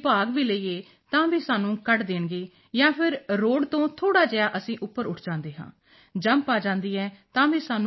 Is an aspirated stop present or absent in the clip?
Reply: present